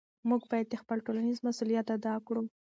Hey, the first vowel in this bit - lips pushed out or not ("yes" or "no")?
yes